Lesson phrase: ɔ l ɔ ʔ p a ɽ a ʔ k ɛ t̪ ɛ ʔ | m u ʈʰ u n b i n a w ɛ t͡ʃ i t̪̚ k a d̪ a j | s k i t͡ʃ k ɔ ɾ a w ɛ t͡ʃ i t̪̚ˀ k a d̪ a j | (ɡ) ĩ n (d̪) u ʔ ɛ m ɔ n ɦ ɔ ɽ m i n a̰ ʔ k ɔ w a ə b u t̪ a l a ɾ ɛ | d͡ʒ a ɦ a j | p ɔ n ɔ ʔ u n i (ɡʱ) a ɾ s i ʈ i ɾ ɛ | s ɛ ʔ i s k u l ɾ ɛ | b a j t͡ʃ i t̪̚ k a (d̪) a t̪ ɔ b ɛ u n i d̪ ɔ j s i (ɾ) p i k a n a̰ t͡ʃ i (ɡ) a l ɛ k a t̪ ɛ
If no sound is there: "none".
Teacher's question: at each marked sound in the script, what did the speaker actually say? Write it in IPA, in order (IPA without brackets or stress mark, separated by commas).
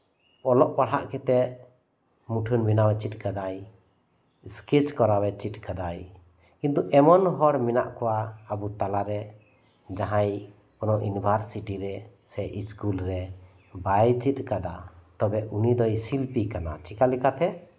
k, t̪, bʱ, d̪, l, k